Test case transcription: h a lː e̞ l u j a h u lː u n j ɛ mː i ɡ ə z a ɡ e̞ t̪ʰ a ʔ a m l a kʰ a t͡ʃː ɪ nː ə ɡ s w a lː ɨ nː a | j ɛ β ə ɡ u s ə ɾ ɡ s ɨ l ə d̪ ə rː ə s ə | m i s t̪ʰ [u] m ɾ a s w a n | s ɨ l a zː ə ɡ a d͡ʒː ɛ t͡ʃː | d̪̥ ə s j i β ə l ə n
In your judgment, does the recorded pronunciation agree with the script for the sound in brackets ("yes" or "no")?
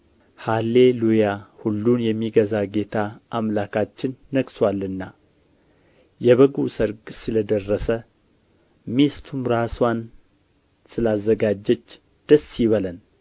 yes